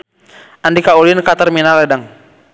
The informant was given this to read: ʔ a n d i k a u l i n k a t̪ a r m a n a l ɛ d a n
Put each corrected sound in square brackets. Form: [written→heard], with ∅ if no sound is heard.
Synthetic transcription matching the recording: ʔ a n d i k a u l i n k a t̪ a r m [a→i] n a l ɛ d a [n→ŋ]